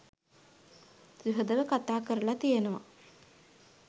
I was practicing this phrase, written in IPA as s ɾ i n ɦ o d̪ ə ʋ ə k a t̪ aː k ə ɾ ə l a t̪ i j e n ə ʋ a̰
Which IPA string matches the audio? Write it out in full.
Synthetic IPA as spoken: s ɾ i ɦ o d̪ ə ʋ ə k a t̪ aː k ə ɾ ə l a t̪ i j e n ə ʋ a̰